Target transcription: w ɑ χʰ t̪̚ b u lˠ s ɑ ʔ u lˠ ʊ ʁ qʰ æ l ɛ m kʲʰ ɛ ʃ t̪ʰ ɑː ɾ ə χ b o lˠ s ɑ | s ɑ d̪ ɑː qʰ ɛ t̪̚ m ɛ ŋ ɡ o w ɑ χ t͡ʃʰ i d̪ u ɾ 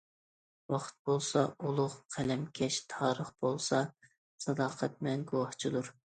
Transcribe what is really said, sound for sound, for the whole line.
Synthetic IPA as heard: w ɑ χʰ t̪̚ b o lˠ s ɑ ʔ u lˠ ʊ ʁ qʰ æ l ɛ m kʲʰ ɛ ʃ t̪ʰ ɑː ɾ ə χ b o lˠ s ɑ | s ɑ d̪ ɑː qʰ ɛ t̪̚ m ɛ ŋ ɡ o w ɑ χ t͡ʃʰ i d̪ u ɾ